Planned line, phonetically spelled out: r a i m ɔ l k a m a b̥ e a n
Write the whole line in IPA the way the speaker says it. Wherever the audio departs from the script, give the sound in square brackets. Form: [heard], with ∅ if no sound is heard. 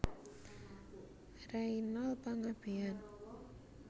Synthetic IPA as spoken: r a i [n] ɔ l [p] a [ŋ] a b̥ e a n